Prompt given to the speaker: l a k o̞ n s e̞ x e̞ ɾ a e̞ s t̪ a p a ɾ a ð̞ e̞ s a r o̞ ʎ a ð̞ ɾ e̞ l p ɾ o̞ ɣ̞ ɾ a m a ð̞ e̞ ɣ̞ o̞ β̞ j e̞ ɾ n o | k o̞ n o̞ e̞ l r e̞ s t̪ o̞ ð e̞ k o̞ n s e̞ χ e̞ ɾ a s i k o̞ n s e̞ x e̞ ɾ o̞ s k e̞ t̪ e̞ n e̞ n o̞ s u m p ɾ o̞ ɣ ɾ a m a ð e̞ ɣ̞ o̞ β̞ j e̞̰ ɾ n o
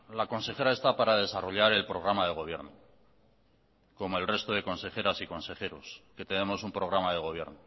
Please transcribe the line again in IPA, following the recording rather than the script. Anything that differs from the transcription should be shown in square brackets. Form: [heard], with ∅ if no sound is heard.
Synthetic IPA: l a k o̞ n s e̞ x e̞ ɾ a e̞ s t̪ a p a ɾ a ð̞ e̞ s a r o̞ ʎ a [∅] ɾ e̞ l p ɾ o̞ ɣ̞ ɾ a m a ð̞ e̞ ɣ̞ o̞ β̞ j e̞ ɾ n o | k o̞ [m] o̞ e̞ l r e̞ s t̪ o̞ ð e̞ k o̞ n s e̞ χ e̞ ɾ a s i k o̞ n s e̞ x e̞ ɾ o̞ s k e̞ t̪ e̞ n e̞ [m] o̞ s u m p ɾ o̞ ɣ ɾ a m a ð e̞ ɣ̞ o̞ β̞ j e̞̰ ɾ n o